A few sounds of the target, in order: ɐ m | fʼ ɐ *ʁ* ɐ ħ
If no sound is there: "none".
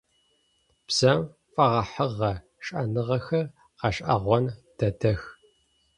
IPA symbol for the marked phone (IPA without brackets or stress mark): ʁ